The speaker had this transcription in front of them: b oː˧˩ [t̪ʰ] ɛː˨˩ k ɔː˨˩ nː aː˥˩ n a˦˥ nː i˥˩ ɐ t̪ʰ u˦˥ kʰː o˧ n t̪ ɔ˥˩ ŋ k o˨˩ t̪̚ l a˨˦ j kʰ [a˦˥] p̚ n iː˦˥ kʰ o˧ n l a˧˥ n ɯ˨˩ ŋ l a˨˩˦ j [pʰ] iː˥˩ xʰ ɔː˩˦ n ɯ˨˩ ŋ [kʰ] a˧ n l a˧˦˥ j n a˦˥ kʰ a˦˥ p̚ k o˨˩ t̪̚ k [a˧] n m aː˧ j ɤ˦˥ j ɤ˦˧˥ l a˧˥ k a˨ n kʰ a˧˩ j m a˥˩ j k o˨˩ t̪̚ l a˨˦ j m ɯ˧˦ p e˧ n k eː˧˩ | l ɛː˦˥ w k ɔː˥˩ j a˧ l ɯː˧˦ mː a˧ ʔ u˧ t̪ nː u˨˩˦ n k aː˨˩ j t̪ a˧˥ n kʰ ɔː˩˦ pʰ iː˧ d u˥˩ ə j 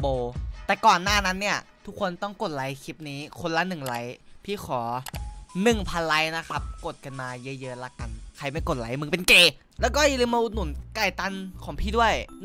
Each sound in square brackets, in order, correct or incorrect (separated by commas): incorrect, incorrect, correct, incorrect, correct